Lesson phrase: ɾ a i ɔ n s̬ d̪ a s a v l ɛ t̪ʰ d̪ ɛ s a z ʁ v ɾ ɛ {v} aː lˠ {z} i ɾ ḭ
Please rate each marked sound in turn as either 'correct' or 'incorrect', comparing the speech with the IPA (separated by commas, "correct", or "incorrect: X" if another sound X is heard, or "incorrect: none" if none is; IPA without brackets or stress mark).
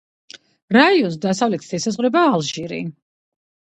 incorrect: b, incorrect: ʒ